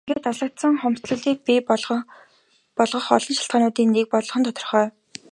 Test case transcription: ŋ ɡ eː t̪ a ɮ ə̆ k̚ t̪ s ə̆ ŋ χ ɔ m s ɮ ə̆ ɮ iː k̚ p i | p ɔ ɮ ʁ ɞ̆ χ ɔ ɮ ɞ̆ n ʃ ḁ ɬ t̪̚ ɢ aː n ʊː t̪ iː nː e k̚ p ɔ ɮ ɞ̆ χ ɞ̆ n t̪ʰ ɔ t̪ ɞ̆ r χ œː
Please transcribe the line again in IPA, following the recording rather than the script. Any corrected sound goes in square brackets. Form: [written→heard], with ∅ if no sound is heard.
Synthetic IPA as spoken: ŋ ɡ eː t̪ a ɮ ə̆ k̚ t̪ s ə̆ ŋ χ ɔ m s ɮ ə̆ ɮ iː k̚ p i | p ɔ ɮ ʁ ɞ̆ χ ɔ ɮ ɞ̆ n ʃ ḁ ɬ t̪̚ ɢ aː n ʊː t̪ iː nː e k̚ p ɔ ɮ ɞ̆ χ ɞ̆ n t̪ʰ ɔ t̪ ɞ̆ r χ œː